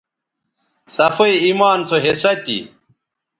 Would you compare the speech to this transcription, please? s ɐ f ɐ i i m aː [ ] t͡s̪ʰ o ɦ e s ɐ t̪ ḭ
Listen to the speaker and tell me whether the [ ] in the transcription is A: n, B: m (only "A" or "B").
A